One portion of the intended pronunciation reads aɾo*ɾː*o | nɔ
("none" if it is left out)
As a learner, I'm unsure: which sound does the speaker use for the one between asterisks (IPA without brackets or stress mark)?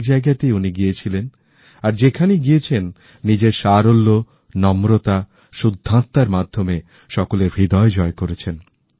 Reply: lː